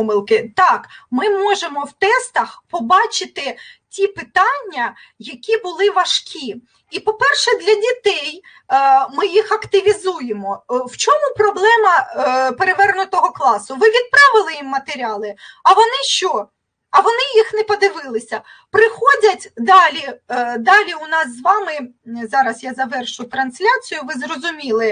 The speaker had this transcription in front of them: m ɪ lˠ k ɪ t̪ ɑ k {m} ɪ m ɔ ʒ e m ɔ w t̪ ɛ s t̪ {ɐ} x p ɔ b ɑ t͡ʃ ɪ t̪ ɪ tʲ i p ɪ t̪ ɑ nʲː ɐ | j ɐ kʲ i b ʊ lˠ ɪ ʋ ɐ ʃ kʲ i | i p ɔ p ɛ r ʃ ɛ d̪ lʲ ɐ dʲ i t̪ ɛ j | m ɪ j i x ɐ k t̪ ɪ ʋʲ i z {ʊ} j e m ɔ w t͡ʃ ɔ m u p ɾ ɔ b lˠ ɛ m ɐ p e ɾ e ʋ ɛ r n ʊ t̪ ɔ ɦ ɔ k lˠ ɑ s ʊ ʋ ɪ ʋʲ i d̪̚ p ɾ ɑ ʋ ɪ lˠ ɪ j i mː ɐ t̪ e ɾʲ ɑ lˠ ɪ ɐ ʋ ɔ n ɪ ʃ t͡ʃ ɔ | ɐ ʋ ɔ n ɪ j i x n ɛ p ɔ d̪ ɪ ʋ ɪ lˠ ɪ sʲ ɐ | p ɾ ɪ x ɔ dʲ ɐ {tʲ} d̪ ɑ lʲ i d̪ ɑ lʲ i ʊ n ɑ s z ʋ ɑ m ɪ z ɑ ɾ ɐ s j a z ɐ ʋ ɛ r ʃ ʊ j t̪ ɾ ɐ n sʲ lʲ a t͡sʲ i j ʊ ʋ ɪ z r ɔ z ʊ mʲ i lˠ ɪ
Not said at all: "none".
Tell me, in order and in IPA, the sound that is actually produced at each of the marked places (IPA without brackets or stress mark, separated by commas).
m, ɐ, u, tʲ